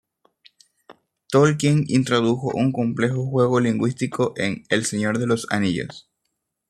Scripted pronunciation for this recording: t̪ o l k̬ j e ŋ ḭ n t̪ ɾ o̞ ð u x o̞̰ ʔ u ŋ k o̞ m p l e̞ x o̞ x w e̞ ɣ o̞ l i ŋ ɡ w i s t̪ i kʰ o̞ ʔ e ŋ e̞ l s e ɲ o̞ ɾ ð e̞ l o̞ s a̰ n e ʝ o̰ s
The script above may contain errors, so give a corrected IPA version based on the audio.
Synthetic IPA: t̪ o l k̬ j e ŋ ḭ n t̪ ɾ o̞ ð u x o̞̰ ʔ u ŋ k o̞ m p l e̞ x o̞ x w e̞ ɣ o̞ l i ŋ ɡ w i s t̪ i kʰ o̞ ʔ e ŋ e̞ l s e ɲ o̞ ɾ ð e̞ l o̞ s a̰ n i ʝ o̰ s